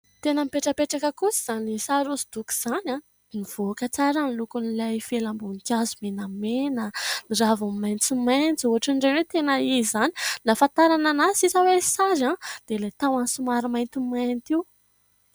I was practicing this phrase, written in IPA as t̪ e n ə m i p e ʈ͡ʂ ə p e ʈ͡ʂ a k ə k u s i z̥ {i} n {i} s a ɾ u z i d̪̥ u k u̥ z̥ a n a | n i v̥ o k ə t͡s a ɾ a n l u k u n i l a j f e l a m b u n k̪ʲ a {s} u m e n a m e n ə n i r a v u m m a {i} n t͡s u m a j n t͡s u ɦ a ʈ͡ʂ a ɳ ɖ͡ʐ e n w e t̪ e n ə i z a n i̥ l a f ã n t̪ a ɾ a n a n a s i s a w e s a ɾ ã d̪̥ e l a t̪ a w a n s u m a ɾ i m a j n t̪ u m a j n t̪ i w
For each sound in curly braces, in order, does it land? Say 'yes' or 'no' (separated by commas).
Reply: no, yes, no, no